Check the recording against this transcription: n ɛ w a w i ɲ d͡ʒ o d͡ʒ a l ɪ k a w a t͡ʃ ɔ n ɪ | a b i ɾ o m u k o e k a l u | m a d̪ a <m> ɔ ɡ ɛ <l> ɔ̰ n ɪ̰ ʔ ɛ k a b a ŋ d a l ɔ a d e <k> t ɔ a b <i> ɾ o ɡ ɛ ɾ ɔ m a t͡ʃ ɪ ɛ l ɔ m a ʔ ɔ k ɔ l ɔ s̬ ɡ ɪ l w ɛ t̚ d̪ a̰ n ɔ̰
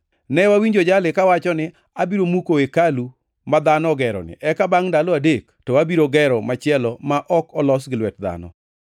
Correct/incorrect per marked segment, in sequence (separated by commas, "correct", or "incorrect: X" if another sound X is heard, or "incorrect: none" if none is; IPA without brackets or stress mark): incorrect: n, incorrect: ɾ, correct, correct